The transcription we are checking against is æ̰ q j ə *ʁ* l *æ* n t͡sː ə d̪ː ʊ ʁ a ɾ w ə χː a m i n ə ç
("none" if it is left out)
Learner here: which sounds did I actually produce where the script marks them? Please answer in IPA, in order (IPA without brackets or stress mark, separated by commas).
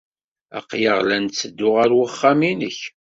ʁ, æ